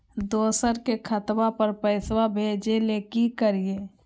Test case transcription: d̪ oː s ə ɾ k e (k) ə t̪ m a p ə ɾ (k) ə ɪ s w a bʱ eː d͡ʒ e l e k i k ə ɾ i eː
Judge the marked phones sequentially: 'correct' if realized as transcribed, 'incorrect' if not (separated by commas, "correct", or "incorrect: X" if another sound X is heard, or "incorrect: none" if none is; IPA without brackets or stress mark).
incorrect: kʰ, incorrect: p